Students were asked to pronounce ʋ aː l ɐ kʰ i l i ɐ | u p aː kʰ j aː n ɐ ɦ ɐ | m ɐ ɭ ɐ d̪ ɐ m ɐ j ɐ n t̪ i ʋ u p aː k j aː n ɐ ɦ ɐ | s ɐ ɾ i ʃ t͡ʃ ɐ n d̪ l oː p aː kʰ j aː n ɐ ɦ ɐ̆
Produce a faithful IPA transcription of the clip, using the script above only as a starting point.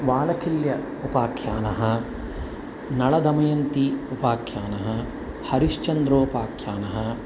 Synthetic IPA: ʋ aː l ɐ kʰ i l j ɐ | u p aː kʰ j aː n ɐ ɦ ɐ | n ɐ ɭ ɐ d̪ ɐ m ɐ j ɐ n t̪ i u p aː kʰ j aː n ɐ ɦ ɐ | h ɐ ɾ i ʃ t͡ʃ ɐ n d̪ ɾ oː p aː kʰ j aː n ɐ ɦ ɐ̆